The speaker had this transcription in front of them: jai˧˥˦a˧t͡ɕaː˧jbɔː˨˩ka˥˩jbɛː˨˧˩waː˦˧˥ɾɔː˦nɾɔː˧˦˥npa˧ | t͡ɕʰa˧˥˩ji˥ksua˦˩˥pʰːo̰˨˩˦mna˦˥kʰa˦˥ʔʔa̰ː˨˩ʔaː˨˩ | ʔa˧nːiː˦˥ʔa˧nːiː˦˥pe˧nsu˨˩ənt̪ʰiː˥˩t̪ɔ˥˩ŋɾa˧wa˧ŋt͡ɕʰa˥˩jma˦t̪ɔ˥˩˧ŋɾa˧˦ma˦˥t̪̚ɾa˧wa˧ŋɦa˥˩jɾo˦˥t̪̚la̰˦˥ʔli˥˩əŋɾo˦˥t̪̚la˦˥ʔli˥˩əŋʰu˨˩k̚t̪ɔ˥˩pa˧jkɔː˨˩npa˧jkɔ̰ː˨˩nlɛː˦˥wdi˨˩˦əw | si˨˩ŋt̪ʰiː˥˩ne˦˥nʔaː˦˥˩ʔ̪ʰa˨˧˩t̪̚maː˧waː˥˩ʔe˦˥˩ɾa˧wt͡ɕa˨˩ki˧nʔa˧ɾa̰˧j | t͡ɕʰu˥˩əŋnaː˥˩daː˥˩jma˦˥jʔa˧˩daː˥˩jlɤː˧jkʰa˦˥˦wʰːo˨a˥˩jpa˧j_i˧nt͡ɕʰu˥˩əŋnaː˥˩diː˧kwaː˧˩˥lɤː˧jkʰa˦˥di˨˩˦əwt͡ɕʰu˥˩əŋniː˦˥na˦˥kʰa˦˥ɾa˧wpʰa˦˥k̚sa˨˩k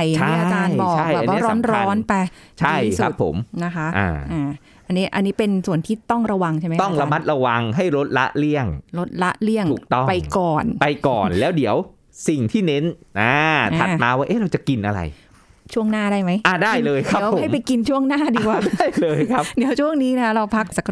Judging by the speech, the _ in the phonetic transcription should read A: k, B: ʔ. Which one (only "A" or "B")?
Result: A